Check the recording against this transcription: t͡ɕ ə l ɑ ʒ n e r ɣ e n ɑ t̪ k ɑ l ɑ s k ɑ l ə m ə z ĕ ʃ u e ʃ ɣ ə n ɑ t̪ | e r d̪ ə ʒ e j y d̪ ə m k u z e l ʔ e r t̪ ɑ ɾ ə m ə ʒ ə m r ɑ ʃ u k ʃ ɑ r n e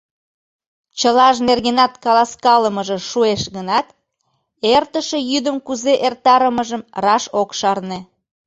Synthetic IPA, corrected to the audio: t͡ɕ ə l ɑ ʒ n e r ɣ e n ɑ t̪ k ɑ l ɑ s k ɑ l ə m ə ʒ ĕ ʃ u e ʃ ɣ ə n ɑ t̪ | e r t̪ ə ʃ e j y d̪ ə m k u z e ʔ e r t̪ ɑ ɾ ə m ə ʒ ə m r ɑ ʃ o k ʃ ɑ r n e